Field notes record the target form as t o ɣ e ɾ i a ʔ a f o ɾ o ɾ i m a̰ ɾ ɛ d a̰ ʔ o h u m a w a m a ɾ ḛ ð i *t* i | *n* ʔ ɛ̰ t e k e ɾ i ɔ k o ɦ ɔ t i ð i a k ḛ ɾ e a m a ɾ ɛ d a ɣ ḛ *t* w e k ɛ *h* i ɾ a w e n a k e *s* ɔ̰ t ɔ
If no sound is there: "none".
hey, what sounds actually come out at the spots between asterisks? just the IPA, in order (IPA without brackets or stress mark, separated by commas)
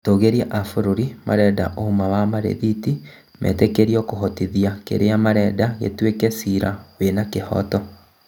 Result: t, m, t, s, h